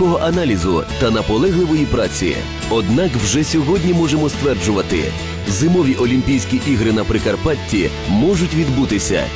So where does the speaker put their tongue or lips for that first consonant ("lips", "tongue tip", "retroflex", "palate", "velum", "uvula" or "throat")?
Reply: throat